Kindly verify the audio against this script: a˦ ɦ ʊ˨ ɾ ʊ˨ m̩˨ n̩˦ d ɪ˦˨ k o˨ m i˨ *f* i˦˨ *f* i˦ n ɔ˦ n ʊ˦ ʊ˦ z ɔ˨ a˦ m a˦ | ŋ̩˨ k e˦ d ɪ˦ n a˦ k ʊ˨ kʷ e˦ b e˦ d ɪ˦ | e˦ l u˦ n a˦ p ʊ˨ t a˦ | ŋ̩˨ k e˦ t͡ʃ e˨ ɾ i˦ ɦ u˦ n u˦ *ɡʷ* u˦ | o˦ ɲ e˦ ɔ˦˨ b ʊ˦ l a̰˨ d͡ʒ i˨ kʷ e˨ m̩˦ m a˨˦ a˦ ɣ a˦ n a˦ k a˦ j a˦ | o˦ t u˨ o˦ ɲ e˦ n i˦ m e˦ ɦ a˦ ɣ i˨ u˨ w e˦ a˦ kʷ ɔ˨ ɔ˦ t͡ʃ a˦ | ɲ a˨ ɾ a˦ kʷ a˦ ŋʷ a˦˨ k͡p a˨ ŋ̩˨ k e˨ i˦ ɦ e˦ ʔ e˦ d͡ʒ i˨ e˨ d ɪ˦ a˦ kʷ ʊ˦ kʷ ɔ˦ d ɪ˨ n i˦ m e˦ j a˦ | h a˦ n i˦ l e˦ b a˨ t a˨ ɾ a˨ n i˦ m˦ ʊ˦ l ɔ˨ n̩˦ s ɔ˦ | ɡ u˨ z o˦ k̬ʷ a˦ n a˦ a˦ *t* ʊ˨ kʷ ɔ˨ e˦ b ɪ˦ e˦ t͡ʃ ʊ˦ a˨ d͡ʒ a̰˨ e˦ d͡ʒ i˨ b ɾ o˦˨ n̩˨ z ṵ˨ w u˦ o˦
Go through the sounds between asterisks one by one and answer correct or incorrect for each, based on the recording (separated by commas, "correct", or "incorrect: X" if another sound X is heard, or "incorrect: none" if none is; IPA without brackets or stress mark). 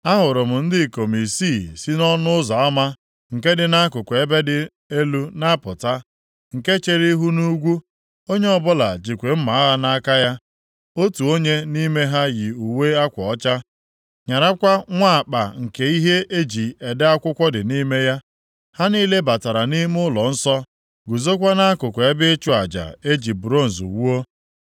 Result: incorrect: s, incorrect: s, correct, incorrect: k